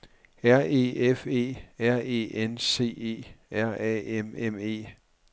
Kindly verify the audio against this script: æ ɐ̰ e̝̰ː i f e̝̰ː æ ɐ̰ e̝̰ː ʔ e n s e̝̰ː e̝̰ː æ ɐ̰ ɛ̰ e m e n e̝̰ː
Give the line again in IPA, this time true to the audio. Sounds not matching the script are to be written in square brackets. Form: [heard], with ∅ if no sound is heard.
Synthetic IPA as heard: æ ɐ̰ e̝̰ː [e] f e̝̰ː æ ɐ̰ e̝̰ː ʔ e n s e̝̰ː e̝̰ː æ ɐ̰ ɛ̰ e m e [m] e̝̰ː

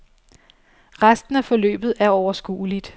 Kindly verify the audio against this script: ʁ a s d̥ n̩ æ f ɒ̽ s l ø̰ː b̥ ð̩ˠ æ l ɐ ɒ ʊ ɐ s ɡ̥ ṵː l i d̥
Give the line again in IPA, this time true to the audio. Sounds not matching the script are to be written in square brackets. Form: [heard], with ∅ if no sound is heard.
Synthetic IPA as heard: ʁ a s d̥ n̩ æ f ɒ̽ [∅] l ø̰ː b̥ ð̩ˠ æ [∅] ɐ ɒ ʊ ɐ s ɡ̥ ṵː l i d̥

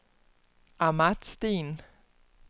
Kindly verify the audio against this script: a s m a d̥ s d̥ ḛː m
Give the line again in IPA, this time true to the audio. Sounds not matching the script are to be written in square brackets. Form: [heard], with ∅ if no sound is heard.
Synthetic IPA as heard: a [∅] m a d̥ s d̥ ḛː [n]

